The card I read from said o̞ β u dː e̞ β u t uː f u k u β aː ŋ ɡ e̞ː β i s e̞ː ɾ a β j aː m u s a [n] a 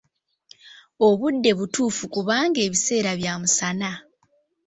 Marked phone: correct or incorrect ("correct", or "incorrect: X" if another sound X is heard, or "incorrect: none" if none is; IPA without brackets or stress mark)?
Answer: correct